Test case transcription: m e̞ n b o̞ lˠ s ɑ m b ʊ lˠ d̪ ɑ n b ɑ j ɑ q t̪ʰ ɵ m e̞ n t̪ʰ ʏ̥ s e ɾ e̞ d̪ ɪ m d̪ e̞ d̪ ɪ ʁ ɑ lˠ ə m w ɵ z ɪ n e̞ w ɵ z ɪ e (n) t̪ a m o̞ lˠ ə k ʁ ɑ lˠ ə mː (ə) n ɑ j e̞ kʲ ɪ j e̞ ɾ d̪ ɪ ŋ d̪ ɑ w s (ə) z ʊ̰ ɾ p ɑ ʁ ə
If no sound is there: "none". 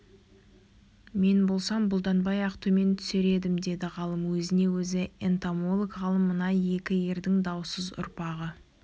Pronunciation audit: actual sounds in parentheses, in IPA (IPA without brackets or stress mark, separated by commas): n, ə, ə